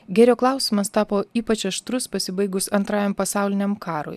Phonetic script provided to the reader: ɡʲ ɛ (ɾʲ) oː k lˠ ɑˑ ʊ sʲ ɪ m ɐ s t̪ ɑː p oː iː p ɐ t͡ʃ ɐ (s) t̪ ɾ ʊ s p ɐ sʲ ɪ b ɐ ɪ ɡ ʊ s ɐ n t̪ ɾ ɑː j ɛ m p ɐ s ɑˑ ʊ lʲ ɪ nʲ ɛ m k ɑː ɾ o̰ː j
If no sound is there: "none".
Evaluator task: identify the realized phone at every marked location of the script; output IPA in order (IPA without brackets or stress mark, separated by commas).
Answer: ɾʲ, ʃ